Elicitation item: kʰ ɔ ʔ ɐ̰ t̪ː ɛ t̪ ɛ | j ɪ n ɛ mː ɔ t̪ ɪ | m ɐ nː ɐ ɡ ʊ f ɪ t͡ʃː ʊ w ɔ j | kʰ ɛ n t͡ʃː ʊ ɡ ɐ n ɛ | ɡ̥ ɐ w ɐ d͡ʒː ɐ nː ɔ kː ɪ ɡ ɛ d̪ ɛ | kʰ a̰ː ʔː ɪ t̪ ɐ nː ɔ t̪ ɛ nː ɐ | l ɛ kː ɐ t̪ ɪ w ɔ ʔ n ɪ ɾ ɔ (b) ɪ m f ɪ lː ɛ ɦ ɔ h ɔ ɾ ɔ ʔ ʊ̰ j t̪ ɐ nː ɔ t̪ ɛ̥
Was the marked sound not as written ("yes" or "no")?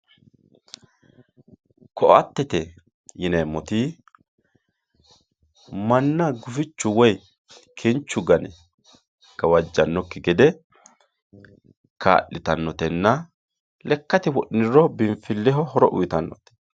no